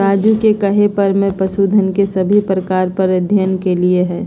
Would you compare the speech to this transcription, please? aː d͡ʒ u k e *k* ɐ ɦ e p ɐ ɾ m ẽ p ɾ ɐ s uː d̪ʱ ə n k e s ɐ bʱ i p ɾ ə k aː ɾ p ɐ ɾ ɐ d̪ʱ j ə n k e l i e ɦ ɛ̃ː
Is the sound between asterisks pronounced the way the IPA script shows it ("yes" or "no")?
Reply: yes